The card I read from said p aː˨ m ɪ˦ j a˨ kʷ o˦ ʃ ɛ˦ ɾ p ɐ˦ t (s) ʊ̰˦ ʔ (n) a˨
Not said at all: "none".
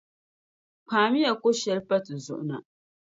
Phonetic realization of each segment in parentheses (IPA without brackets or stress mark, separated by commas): z, n